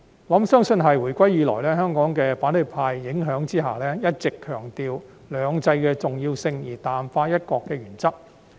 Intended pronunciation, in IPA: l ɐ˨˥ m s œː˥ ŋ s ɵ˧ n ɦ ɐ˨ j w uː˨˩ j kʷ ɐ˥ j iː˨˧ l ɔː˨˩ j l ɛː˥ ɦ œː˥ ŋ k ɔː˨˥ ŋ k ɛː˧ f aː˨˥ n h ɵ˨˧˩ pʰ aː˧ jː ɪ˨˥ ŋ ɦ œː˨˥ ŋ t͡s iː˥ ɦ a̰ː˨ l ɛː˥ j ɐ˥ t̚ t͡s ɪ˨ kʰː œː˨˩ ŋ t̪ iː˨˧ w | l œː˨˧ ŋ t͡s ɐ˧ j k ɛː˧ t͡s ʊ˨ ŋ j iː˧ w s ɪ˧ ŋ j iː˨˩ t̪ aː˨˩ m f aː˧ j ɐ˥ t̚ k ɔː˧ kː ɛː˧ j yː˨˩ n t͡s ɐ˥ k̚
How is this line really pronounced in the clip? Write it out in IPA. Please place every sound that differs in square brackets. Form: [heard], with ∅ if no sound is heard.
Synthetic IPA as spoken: l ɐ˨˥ m s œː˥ ŋ s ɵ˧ n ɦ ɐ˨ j w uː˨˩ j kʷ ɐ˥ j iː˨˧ l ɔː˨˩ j l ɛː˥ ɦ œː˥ ŋ k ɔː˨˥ ŋ k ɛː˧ f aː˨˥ n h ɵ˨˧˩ pʰ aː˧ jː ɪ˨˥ ŋ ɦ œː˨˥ ŋ t͡s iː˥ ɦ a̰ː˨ l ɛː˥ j ɐ˥ t̚ t͡s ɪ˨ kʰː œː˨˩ ŋ t̪ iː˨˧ w | l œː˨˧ ŋ t͡s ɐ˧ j k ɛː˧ t͡s ʊ˨ ŋ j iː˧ w s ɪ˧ ŋ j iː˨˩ t̪ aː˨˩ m f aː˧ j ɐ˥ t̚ k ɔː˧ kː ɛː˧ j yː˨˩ n t͡s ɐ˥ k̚